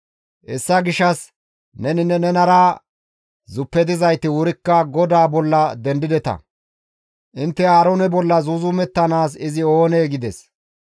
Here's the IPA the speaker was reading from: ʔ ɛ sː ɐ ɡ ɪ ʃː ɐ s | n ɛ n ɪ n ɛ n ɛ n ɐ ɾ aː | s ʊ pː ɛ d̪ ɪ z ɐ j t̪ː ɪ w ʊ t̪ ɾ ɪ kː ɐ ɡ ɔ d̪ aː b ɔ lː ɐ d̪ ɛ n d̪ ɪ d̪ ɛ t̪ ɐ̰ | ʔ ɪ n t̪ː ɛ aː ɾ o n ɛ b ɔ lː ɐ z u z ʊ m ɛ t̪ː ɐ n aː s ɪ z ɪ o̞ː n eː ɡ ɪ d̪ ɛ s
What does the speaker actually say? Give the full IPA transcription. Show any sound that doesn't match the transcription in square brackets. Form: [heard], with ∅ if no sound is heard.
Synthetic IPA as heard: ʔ ɛ sː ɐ ɡ ɪ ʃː ɐ s | n ɛ n ɪ n ɛ n ɛ n ɐ ɾ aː | [z] ʊ pː ɛ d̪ ɪ z ɐ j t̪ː ɪ w ʊ [∅] ɾ ɪ kː ɐ ɡ ɔ d̪ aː b ɔ lː ɐ d̪ ɛ n d̪ ɪ d̪ ɛ t̪ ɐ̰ | ʔ ɪ n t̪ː ɛ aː ɾ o n ɛ b ɔ lː ɐ z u z ʊ m ɛ t̪ː ɐ n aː s ɪ z ɪ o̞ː n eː ɡ ɪ d̪ ɛ s